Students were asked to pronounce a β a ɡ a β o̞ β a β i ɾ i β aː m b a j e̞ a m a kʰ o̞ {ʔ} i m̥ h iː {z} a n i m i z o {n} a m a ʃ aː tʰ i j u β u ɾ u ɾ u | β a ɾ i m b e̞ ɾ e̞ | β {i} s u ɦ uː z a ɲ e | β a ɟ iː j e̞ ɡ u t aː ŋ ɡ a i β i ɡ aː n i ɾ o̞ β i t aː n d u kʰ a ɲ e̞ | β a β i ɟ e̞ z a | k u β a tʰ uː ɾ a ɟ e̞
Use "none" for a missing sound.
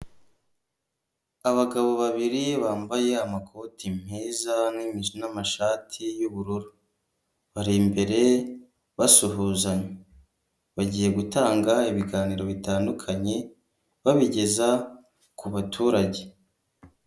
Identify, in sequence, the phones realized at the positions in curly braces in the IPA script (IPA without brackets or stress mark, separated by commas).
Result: t, z, n, a